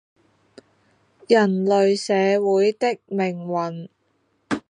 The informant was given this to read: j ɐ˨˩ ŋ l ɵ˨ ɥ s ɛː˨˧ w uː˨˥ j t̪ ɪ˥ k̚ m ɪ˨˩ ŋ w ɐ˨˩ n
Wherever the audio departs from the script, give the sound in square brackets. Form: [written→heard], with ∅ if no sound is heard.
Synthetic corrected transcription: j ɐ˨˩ [ŋ→n] l ɵ˨ ɥ s ɛː˨˧ w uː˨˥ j t̪ ɪ˥ k̚ m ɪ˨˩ ŋ w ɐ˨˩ n